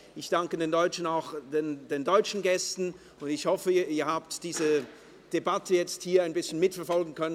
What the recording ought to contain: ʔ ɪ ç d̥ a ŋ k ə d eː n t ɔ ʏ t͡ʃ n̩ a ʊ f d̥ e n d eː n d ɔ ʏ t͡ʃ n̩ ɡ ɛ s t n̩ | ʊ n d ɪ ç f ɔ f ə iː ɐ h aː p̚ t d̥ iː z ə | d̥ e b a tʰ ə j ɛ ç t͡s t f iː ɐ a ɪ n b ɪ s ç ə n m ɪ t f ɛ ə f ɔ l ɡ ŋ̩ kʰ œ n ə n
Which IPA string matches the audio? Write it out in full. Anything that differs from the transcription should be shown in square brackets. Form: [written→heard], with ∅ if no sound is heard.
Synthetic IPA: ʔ ɪ ç d̥ a ŋ k ə d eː n [t→d] ɔ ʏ t͡ʃ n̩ a ʊ [f→x] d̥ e n d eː n d ɔ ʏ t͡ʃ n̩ ɡ ɛ s t n̩ | ʊ n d ɪ ç [f→h] ɔ f ə iː ɐ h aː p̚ t d̥ iː z ə | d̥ e b a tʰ ə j ɛ [ç→∅] t͡s t [f→h] iː ɐ a ɪ n b ɪ s ç ə n m ɪ t f ɛ [ə→ɐ] f ɔ l ɡ ŋ̩ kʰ œ n ə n